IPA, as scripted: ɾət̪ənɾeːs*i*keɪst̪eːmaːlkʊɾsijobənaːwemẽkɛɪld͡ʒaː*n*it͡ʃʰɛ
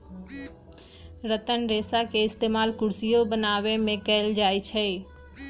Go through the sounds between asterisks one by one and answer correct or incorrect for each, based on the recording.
incorrect, incorrect

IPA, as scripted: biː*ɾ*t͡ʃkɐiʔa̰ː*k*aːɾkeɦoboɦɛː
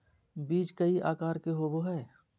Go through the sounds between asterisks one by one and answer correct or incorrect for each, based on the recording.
incorrect, correct

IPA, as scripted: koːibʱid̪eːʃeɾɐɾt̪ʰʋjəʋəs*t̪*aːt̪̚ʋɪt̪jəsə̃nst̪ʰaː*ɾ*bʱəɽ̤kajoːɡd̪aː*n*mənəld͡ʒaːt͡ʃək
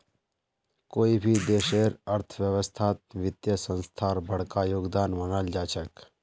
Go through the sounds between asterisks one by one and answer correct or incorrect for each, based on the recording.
incorrect, correct, correct

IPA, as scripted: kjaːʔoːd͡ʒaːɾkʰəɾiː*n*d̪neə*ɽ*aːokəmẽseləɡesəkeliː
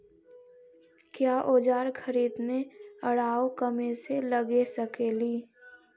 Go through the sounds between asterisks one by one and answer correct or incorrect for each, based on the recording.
incorrect, correct

